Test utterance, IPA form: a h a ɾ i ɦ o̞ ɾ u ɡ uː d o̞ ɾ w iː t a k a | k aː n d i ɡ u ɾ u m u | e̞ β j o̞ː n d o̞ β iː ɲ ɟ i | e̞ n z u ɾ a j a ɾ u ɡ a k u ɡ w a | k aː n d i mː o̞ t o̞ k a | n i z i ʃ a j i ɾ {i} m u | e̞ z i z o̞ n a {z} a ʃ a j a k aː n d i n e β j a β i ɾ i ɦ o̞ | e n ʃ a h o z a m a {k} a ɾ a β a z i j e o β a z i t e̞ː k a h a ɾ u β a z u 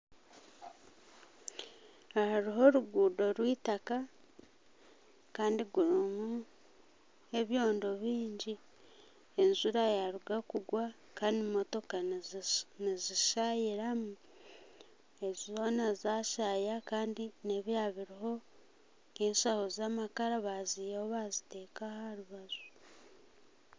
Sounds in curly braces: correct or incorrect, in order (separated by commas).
incorrect, correct, correct